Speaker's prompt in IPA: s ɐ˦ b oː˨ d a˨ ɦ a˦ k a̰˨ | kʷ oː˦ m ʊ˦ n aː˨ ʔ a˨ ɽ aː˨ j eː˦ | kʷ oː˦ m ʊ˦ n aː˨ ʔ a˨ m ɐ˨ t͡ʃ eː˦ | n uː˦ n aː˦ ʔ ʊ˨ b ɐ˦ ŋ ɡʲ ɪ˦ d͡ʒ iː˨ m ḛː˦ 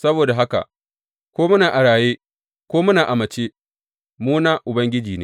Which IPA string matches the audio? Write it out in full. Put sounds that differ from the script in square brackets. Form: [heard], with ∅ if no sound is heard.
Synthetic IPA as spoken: s ɐ˦ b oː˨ d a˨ ɦ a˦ k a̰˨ | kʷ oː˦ m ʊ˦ n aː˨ ʔ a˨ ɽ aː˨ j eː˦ | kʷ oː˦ m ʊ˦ n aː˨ ʔ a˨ m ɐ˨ t͡ʃ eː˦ | [m] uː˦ n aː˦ ʔ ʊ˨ b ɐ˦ ŋ ɡʲ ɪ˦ d͡ʒ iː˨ [n] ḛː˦